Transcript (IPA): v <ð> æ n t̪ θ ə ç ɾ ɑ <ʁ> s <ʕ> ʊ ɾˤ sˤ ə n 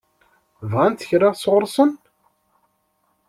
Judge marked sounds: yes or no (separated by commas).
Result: no, yes, no